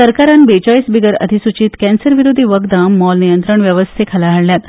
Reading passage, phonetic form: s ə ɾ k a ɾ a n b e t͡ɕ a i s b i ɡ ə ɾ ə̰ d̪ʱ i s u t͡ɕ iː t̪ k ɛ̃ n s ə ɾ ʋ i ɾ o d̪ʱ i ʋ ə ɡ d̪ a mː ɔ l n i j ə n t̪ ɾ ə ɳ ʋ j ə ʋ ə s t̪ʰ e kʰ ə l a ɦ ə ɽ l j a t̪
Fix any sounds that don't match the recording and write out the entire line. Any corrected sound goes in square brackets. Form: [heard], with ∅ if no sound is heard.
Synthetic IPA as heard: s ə ɾ k a ɾ a n b e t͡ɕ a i s b i ɡ ə ɾ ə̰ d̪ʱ i s u t͡ɕ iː t̪ k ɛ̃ n s ə ɾ ʋ i ɾ o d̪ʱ i ʋ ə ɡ d̪ a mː ɔ l n i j ə n t̪ ɾ ə ɳ ʋ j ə ʋ ə s t̪ʰ e kʰ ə l a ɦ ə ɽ l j a t̪